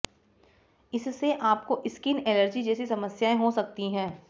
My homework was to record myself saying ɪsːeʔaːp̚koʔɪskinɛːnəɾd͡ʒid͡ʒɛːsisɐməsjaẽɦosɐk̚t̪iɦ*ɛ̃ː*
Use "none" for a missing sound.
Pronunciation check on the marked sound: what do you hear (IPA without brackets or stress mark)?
ɛ̃ː